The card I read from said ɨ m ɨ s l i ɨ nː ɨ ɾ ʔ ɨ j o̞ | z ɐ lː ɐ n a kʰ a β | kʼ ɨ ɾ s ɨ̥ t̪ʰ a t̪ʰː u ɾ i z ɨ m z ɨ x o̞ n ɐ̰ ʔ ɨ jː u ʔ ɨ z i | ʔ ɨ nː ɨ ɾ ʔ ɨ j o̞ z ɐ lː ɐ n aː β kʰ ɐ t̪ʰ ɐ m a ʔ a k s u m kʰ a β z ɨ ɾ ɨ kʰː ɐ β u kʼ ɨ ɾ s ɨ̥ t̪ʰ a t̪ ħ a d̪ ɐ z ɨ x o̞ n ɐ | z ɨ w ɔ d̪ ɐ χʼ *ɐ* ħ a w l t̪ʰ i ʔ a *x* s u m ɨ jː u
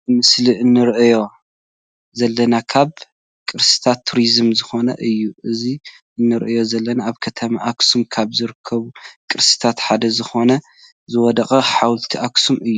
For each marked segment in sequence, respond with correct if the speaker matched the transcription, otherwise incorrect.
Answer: correct, incorrect: k

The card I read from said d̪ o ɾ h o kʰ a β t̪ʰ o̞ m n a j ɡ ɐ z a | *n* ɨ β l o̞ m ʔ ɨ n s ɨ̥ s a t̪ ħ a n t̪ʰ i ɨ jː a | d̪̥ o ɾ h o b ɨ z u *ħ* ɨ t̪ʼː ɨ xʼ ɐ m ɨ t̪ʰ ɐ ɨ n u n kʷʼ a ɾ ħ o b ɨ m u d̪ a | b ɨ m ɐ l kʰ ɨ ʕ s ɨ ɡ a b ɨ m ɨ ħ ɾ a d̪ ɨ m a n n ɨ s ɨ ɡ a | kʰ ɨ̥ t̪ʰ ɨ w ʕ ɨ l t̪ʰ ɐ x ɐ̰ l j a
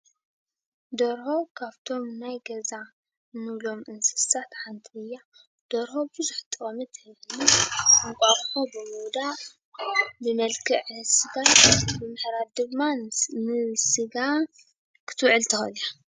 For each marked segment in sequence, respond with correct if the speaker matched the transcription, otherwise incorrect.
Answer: correct, correct

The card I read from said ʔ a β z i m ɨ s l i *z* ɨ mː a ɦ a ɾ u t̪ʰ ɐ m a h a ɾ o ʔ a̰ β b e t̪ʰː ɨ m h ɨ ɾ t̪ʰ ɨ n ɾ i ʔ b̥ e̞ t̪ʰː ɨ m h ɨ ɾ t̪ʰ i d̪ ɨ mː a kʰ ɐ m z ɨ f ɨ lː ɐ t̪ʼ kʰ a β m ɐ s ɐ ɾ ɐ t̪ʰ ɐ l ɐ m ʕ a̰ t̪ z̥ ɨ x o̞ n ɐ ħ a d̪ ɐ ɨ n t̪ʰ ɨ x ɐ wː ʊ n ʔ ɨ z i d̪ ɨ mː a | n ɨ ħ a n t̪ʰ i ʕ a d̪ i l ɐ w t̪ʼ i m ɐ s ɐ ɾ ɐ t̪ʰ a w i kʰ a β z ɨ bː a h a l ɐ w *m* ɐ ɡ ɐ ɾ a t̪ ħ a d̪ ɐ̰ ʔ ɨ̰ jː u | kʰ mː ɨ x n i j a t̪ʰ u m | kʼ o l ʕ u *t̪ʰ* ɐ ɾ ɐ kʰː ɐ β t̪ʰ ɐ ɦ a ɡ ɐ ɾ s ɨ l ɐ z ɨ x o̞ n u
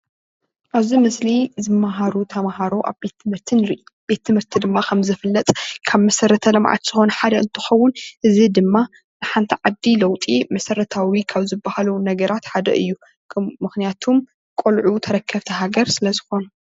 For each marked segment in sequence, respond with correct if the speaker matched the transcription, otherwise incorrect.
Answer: correct, incorrect: n, correct

